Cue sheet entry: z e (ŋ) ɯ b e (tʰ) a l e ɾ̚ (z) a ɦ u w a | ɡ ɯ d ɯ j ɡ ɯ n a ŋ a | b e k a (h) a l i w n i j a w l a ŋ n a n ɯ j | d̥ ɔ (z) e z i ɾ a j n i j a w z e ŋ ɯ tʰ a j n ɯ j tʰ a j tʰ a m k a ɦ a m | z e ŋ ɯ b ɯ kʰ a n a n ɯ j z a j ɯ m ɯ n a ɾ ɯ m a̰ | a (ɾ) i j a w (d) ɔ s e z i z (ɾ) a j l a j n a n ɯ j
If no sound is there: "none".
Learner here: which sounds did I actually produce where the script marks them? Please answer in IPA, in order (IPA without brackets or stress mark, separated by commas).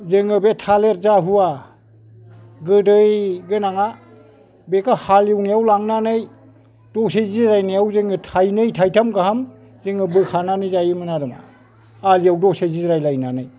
ŋ, tʰ, z, h, s, l, d, ɾ